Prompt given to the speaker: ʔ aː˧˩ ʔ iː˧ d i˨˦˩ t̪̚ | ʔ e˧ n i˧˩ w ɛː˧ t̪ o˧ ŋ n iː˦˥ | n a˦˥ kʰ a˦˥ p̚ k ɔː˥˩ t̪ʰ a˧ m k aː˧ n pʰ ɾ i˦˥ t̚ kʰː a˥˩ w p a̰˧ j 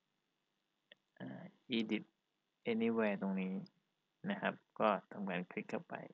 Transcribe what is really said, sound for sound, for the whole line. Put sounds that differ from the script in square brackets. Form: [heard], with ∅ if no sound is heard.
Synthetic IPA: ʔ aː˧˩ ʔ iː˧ d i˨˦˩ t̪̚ | ʔ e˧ n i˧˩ w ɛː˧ t̪ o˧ ŋ n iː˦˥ | n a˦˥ kʰ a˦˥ p̚ k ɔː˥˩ t̪ʰ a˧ m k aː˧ n [kʰ] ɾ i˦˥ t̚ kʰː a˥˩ w p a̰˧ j